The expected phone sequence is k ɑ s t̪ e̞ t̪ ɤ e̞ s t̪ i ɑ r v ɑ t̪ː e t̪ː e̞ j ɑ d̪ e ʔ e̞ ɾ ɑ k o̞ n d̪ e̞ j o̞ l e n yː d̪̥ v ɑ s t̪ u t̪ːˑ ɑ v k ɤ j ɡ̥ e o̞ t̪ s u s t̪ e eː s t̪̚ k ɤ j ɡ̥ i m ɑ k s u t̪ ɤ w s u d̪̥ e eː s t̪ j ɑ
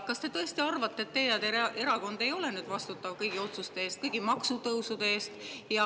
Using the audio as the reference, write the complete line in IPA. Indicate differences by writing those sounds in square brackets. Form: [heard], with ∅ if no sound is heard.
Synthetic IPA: k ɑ s t̪ e̞ t̪ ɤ e̞ s t̪ i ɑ r v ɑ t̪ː e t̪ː e̞ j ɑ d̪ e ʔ e̞ ɾ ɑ k o̞ n d̪ e̞ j o̞ l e n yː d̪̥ v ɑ s t̪ u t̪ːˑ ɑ v k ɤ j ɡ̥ [i] o̞ t̪ s u s t̪ e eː s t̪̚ k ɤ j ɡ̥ i m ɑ k s u t̪ ɤ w s u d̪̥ e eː s t̪ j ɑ